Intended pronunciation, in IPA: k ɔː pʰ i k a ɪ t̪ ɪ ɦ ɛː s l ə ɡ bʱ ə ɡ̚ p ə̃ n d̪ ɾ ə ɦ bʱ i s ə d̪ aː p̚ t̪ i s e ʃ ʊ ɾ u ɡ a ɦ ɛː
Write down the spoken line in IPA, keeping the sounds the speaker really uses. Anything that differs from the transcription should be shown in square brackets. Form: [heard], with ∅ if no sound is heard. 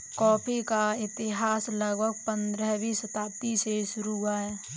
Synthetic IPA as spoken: k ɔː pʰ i k a ɪ t̪ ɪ ɦ [aː] s l ə ɡ bʱ ə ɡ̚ p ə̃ n d̪ ɾ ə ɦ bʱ i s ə [t̪] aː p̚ t̪ i s e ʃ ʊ ɾ u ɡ a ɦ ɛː